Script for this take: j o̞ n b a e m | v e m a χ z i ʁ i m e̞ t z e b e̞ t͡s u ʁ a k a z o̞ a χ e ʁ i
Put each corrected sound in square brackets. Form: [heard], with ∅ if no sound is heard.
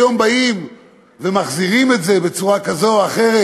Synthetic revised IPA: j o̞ [m] b a [i] m | v e m a χ z i ʁ i m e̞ t z e b e̞ t͡s u ʁ a k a z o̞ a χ e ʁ [e]